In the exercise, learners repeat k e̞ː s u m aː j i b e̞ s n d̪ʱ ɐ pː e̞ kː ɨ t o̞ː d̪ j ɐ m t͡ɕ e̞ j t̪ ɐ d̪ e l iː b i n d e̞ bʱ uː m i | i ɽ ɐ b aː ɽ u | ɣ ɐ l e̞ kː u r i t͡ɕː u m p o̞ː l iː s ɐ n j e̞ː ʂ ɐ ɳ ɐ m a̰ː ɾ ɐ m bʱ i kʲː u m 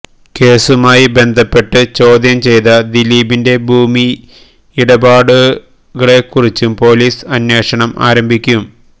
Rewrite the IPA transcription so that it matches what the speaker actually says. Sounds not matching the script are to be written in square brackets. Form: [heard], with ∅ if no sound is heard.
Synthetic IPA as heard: k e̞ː s u m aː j i b e̞ [∅] n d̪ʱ ɐ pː e̞ [ʈː] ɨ [t͡ɕ] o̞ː d̪ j ɐ m t͡ɕ e̞ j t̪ ɐ d̪ [i] l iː b i n d e̞ bʱ uː m i | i ɽ ɐ b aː ɽ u | ɣ ɐ [ɭ] e̞ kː u r i t͡ɕː u m p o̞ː l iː s ɐ n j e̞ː ʂ ɐ ɳ ɐ m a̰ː ɾ ɐ m bʱ i kʲː u m

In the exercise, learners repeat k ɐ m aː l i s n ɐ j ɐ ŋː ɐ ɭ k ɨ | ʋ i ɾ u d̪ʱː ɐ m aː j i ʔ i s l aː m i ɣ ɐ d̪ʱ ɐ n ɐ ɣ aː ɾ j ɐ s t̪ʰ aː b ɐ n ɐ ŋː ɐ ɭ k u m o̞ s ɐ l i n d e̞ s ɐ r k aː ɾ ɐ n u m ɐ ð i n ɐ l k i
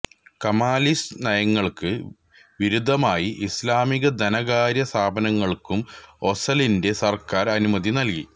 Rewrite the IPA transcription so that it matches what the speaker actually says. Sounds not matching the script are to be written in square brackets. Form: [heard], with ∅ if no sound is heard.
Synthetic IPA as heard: k ɐ m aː l i s n ɐ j ɐ ŋː ɐ ɭ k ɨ | ʋ i ɾ u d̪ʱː ɐ m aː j i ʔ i s l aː m i ɣ ɐ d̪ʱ ɐ n ɐ ɣ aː ɾ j ɐ s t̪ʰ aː b ɐ n ɐ ŋː ɐ ɭ k u m o̞ s ɐ l i n d e̞ s ɐ r k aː ɾ ɐ n u m ɐ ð i n ɐ l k i

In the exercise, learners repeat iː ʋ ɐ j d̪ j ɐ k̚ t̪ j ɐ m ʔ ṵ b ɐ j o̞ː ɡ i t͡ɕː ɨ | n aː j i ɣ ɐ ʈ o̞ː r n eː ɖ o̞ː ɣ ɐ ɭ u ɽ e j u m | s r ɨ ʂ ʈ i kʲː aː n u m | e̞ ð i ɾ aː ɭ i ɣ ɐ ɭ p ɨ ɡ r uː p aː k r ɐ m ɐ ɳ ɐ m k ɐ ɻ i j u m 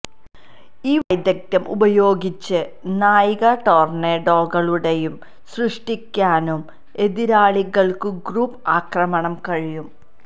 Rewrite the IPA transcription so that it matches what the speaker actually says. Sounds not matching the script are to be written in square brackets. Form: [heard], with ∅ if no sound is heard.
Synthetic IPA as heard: iː ʋ ɐ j d̪ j ɐ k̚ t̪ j ɐ m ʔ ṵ b ɐ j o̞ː ɡ i t͡ɕː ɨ | n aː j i ɣ ɐ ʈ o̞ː r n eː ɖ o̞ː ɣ ɐ ɭ u ɽ e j u m | s r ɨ ʂ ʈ i kʲː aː n u m | e̞ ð i ɾ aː ɭ i ɣ ɐ ɭ [k] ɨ ɡ r uː p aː k r ɐ m ɐ ɳ ɐ m k ɐ ɻ i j u m

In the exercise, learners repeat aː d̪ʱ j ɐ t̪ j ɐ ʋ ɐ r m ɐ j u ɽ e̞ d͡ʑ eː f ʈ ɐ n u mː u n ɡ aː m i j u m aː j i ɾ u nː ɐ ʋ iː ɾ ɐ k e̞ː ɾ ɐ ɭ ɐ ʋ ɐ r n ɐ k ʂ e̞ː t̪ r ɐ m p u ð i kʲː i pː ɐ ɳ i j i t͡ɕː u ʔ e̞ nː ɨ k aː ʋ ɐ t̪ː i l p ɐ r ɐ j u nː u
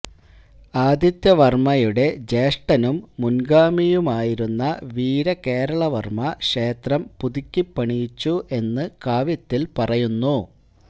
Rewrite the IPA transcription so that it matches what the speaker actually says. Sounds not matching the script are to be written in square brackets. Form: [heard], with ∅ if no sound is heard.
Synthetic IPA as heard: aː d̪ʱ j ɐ t̪ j ɐ ʋ ɐ r m ɐ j u ɽ e̞ d͡ʑ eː [ʂ] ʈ ɐ n u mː u n ɡ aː m i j u m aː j i ɾ u nː ɐ ʋ iː ɾ ɐ k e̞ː ɾ ɐ ɭ ɐ ʋ ɐ r [m] ɐ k ʂ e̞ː t̪ r ɐ m p u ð i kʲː i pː ɐ ɳ i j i t͡ɕː u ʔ e̞ nː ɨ k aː ʋ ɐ t̪ː i l p ɐ r ɐ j u nː u

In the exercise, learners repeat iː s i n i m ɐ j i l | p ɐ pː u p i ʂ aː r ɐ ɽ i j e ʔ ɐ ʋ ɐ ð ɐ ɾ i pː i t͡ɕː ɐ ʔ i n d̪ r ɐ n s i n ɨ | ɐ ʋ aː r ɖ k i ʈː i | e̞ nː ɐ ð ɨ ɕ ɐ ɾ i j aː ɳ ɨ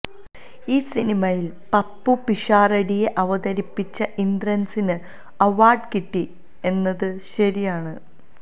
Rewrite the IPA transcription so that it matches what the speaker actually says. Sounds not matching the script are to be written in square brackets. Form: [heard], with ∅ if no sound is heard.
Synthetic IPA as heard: iː s i n i m ɐ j i l | p ɐ pː u p i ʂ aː r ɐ ɽ i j e ʔ ɐ ʋ ɐ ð ɐ ɾ i pː i t͡ɕː ɐ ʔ i n d̪ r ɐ n s i n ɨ | ɐ ʋ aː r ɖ k i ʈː i | e̞ nː ɐ ð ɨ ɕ ɐ ɾ i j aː ɳ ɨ

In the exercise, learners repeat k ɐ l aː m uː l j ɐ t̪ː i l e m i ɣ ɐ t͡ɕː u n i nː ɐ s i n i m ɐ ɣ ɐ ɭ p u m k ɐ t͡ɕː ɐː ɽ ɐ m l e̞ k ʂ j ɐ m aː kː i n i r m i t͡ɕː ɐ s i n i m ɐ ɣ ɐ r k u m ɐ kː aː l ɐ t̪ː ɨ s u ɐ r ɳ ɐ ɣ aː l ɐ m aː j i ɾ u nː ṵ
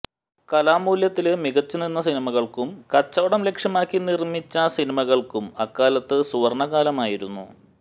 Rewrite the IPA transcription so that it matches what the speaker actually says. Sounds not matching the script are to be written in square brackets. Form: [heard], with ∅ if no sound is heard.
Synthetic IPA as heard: k ɐ l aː m uː l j ɐ t̪ː i l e m i ɣ ɐ t͡ɕː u n i nː ɐ s i n i m ɐ ɣ ɐ ɭ [k] u m k ɐ t͡ɕː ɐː ɽ ɐ m l e̞ k ʂ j ɐ m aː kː i n i r m i t͡ɕː ɐ s i n i m ɐ ɣ ɐ [ɭ] k u m ɐ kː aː l ɐ t̪ː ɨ s u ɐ r ɳ ɐ ɣ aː l ɐ m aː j i ɾ u nː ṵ

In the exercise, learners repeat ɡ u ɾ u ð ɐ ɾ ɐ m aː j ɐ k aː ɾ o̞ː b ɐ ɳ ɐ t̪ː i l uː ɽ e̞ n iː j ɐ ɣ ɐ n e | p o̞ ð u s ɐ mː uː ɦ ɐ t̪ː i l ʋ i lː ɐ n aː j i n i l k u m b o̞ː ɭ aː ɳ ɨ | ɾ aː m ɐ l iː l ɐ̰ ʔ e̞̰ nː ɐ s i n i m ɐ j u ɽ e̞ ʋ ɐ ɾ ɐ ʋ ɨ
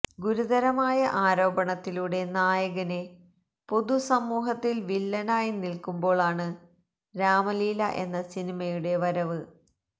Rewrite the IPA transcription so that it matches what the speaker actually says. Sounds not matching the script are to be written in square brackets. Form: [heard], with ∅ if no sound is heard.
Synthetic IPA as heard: ɡ u ɾ u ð ɐ ɾ ɐ m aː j ɐ [ʔ] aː ɾ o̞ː b ɐ ɳ ɐ t̪ː i l [u] ɽ e̞ n [aː] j ɐ ɣ ɐ n e | p o̞ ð u s ɐ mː uː ɦ ɐ t̪ː i l ʋ i lː ɐ n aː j i n i l k u m b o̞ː ɭ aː ɳ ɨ | ɾ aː m ɐ l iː l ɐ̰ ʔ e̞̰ nː ɐ s i n i m ɐ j u ɽ e̞ ʋ ɐ ɾ ɐ ʋ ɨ

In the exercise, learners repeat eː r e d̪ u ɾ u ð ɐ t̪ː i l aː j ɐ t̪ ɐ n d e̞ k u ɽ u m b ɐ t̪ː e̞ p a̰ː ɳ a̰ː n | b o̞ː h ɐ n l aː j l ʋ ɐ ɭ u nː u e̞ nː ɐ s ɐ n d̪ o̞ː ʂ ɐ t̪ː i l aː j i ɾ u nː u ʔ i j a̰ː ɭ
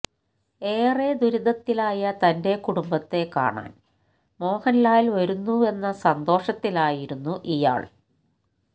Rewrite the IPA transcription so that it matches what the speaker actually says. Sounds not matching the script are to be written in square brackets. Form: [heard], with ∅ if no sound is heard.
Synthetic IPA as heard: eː r e d̪ u ɾ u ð ɐ t̪ː i l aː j ɐ t̪ ɐ n d e̞ k u ɽ u m b ɐ t̪ː e̞ [k] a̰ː ɳ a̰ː n | [m] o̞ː h ɐ n l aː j l ʋ ɐ [ɾ] u nː u e̞ nː ɐ s ɐ n d̪ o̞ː ʂ ɐ t̪ː i l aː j i ɾ u nː u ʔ i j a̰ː ɭ

